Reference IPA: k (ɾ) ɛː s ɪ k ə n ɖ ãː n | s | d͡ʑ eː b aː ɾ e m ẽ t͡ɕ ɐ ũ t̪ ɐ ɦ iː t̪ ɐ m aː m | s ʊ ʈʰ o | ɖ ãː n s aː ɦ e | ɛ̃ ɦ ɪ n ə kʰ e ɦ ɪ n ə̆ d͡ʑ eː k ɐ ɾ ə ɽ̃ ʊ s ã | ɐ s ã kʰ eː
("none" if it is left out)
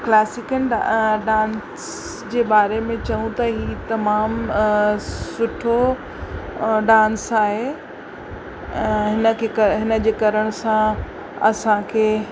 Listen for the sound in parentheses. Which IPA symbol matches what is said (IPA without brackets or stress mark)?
l